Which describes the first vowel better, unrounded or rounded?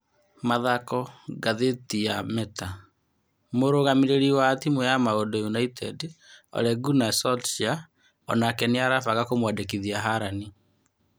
unrounded